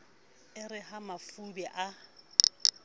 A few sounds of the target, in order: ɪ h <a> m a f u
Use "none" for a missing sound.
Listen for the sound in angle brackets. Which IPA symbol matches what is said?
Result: a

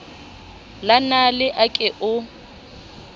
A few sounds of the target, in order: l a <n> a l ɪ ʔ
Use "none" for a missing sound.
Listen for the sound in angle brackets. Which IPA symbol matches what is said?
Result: n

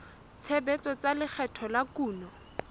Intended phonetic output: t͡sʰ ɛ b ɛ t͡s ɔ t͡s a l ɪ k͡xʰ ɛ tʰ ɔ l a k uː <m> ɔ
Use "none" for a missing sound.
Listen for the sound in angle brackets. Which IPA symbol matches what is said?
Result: n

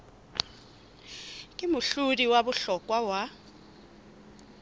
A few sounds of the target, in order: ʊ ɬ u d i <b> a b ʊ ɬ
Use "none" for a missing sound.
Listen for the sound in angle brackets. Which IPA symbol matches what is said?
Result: w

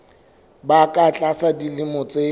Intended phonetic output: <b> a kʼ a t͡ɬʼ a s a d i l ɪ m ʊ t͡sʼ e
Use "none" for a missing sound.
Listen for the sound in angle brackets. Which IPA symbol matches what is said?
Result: b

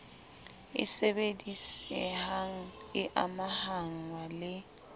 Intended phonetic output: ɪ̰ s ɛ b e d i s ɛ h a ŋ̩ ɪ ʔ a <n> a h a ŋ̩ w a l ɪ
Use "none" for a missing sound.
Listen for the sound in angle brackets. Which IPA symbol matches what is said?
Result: m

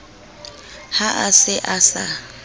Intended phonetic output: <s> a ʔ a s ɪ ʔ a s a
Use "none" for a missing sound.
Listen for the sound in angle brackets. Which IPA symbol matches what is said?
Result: h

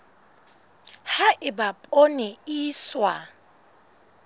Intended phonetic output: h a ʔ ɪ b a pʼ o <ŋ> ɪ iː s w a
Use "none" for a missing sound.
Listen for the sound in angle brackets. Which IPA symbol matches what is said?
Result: n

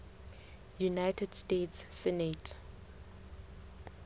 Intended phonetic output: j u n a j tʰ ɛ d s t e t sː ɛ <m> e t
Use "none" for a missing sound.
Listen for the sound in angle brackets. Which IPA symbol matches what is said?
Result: n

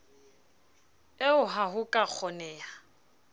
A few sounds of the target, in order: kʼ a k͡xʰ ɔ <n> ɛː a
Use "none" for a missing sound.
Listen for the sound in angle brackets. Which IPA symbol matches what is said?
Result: n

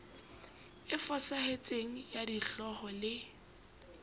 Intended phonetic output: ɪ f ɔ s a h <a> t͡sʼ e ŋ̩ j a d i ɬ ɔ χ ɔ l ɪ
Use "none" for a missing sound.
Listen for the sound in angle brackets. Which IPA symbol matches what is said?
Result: e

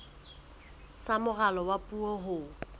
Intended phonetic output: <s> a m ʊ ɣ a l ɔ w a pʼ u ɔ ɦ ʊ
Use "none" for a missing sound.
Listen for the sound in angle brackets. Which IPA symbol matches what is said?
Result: s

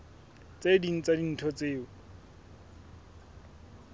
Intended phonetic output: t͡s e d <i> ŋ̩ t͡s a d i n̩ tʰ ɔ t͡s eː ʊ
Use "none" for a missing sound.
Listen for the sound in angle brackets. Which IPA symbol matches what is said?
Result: i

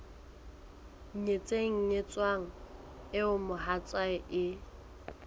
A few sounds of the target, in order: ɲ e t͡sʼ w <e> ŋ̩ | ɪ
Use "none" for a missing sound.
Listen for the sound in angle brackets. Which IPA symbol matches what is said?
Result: a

